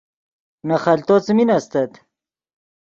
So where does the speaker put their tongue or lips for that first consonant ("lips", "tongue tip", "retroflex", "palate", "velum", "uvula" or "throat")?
tongue tip